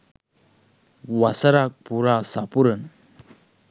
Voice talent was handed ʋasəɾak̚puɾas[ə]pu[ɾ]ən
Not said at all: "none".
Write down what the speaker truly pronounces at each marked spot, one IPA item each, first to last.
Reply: a, ɾ

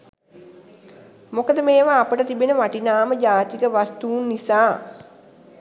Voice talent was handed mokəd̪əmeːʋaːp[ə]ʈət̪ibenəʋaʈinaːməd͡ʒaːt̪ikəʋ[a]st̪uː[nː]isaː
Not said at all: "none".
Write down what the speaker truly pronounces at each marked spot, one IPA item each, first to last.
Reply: ə, a, nː

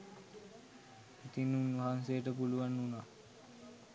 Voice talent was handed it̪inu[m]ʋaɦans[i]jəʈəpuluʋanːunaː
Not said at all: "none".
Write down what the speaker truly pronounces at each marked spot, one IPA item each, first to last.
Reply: n, e

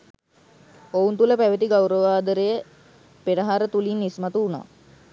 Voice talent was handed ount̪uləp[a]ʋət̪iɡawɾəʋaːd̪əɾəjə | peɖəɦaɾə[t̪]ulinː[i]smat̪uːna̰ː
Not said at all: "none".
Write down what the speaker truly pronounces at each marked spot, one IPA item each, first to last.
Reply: æ, t̪, i

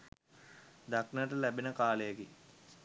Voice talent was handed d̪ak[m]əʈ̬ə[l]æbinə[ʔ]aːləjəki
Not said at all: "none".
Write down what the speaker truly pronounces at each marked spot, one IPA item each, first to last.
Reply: n, l, k

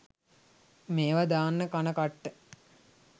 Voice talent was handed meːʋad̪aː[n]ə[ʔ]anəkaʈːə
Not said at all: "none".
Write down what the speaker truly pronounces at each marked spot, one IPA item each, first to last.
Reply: nː, k

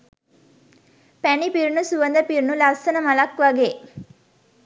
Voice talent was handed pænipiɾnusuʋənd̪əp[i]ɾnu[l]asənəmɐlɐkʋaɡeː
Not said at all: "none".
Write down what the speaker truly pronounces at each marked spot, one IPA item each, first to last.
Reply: i, l

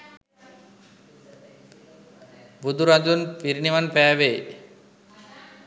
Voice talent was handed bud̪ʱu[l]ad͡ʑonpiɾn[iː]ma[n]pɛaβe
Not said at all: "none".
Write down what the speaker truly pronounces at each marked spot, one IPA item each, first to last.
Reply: ɾ, i, n

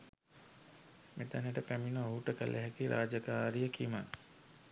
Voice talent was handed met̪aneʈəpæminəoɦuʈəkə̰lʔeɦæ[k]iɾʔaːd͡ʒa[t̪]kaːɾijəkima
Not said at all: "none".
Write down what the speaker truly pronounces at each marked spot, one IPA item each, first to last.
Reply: k, none

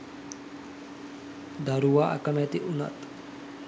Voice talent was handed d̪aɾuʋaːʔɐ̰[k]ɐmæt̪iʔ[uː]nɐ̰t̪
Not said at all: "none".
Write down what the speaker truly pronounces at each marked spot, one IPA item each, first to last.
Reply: k, u

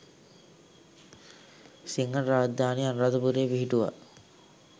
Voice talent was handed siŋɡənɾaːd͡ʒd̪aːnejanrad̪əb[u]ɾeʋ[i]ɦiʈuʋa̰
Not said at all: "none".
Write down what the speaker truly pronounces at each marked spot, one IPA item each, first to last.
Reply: u, i

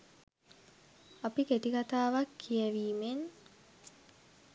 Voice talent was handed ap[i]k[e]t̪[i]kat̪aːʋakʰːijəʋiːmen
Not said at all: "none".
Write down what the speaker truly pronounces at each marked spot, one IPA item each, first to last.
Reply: i, e, i

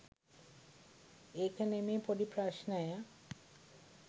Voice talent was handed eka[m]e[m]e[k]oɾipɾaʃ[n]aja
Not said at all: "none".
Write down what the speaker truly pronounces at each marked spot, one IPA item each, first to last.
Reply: n, m, p, n

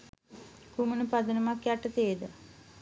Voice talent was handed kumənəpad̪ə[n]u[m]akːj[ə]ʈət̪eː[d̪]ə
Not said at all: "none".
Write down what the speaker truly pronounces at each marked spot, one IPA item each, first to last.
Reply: n, m, a, d̪

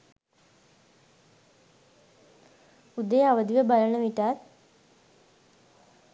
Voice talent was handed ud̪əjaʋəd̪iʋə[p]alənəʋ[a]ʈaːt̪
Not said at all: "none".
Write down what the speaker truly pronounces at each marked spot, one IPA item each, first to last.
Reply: b, i

